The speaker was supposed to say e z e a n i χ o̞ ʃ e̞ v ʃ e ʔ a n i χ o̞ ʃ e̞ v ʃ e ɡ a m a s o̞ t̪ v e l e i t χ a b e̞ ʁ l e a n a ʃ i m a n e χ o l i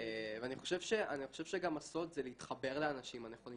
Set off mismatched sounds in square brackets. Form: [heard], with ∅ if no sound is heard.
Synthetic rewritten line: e [v] e a n i χ o̞ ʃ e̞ v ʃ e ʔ a n i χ o̞ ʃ e̞ v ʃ e ɡ a m a s o̞ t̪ [z] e l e i t χ a b e̞ ʁ l e a n a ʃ i m a n e χ o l i